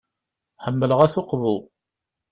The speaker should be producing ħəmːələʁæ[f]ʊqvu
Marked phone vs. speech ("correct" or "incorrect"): incorrect